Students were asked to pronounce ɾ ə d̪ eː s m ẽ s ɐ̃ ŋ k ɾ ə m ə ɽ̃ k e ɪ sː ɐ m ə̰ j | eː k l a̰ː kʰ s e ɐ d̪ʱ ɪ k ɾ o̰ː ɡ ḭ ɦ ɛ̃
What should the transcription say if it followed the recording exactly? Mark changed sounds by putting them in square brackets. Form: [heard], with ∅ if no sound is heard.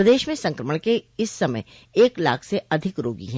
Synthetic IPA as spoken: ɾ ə d̪ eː [ʃ] m ẽ s ɐ̃ ŋ k ɾ ə m ə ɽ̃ k e ɪ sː ɐ m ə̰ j | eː k l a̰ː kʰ s e ɐ d̪ʱ ɪ k ɾ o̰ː ɡ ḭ ɦ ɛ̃